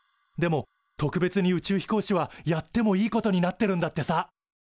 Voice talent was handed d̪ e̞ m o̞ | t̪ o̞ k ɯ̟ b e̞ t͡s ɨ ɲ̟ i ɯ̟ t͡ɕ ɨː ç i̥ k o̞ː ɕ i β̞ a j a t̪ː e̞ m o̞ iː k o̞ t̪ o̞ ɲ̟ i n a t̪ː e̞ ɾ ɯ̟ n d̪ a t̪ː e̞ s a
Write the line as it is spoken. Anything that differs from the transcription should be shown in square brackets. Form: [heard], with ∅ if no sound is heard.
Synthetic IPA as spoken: d̪ e̞ m o̞ | t̪ o̞ k ɯ̟ b e̞ t͡s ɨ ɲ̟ i ɯ̟ t͡ɕ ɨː ç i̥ k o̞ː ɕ i β̞ a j a t̪ː e̞ m o̞ iː k o̞ t̪ o̞ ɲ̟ i n a t̪ː e̞ ɾ [ɯ̟̃] n d̪ a t̪ː e̞ s a